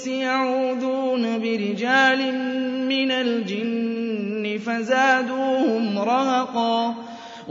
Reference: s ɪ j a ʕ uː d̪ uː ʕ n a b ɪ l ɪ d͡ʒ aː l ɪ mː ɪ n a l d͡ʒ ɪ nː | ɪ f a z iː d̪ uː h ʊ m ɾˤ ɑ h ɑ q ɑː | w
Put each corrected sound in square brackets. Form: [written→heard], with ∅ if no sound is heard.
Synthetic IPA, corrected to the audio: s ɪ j a ʕ uː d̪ uː [ʕ→∅] n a b ɪ [l→ɾ] ɪ d͡ʒ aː l ɪ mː ɪ n a l d͡ʒ ɪ nː | ɪ f a z [iː→aː] d̪ uː h ʊ m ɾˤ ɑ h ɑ q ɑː | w